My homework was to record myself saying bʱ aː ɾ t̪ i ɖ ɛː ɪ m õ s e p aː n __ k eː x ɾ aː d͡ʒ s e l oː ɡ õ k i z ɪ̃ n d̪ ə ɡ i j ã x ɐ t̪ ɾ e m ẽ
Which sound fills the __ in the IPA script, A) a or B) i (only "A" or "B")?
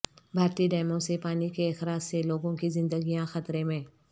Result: B